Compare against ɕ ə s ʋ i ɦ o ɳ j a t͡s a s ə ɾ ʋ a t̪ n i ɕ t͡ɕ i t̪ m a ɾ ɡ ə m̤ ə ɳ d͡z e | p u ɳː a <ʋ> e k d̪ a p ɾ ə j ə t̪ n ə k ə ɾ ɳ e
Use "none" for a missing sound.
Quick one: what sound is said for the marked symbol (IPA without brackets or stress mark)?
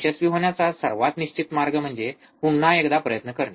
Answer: none